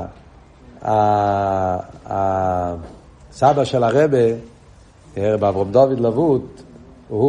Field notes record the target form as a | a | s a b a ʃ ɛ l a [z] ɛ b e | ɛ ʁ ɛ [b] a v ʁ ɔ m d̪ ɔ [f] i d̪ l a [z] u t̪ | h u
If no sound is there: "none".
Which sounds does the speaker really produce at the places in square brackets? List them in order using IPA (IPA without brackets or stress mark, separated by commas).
ʁ, b, v, v